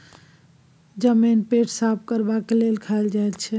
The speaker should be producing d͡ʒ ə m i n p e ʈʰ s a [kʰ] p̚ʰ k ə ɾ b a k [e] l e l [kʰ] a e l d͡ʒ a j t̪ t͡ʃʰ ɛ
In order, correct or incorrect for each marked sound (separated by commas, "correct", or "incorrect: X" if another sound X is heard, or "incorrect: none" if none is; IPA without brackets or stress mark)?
incorrect: none, correct, correct